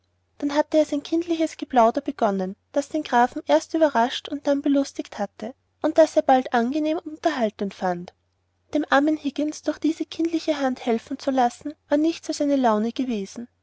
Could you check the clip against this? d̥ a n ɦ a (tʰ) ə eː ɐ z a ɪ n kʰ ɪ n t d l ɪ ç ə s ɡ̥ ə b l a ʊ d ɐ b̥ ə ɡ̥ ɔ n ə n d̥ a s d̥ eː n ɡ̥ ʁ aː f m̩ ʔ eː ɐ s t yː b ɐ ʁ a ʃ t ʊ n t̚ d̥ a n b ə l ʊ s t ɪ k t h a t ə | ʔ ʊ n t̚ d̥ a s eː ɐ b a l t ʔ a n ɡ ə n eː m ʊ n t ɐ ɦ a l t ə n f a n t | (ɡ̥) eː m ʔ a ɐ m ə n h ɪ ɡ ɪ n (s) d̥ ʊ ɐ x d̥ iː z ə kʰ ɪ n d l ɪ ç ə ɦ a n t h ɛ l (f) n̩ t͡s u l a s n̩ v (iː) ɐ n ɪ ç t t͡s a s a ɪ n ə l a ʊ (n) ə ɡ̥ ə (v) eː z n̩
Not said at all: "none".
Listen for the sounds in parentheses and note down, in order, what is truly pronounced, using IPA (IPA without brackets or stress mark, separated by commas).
t, d̥, s, f, aː, n, v